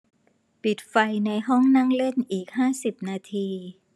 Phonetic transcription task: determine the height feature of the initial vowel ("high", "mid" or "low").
high